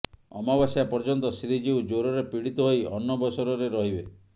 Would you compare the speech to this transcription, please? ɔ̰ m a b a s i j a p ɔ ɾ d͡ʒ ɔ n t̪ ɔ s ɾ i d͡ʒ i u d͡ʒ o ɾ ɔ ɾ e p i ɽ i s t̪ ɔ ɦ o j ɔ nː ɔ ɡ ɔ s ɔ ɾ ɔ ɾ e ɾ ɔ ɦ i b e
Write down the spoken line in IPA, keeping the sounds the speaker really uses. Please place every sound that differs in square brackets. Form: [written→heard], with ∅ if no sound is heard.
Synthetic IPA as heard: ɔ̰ m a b a s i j a p ɔ ɾ d͡ʒ ɔ n t̪ ɔ s ɾ i d͡ʒ i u d͡ʒ o ɾ ɔ ɾ e p i ɽ i [s→∅] t̪ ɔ ɦ o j ɔ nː ɔ [ɡ→b] ɔ s ɔ ɾ ɔ ɾ e ɾ ɔ ɦ i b e